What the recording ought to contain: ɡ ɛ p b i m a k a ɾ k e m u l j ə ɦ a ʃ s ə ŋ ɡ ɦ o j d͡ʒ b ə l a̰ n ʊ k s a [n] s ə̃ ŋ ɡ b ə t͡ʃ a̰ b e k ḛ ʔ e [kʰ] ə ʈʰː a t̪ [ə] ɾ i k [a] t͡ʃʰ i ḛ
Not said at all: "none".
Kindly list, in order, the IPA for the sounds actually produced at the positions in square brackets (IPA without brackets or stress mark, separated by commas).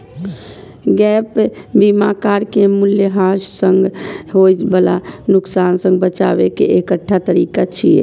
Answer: n, k, ə, a